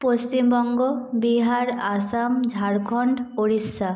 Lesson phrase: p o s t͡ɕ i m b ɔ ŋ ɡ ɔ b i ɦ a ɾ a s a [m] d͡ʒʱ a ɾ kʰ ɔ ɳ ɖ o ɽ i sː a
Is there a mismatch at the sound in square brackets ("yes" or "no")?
no